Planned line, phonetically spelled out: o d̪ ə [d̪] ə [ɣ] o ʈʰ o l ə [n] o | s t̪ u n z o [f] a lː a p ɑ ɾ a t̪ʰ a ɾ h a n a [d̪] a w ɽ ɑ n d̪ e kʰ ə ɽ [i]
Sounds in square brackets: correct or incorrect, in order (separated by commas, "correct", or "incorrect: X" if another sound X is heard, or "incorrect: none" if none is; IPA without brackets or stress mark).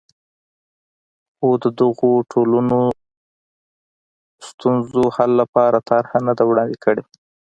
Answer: correct, correct, correct, incorrect: h, correct, incorrect: e